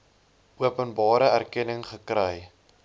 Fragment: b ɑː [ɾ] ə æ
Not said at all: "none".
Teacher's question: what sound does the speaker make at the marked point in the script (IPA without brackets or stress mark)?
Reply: ɾ